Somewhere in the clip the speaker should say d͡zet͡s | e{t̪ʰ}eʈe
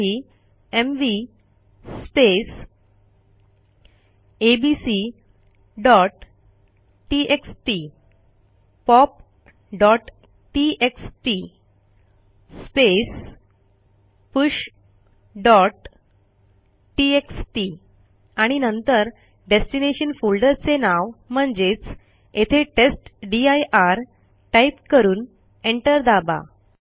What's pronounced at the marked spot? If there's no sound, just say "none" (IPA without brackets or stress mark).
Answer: t̪ʰ